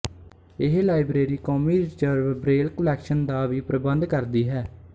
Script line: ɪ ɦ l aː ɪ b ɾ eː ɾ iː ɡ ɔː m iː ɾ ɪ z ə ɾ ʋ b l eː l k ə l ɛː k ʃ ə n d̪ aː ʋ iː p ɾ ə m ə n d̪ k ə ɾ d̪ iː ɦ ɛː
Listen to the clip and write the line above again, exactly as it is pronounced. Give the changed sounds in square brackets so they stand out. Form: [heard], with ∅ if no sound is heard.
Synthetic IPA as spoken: ɪ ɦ l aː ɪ b ɾ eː ɾ iː [k] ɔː m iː ɾ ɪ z ə ɾ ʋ b [ɾ] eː l k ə l ɛː k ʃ ə n d̪ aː ʋ iː p ɾ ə [b] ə n d̪ k ə ɾ d̪ iː ɦ ɛː